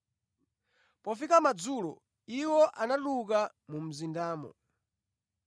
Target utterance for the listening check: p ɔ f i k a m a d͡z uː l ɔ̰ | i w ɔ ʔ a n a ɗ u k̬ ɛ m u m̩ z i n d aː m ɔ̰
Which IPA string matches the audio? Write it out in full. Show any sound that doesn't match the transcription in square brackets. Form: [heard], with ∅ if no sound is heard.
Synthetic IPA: p ɔ f i k a m a d͡z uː l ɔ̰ | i w ɔ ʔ a n a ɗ u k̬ [a] m u m̩ z i n d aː m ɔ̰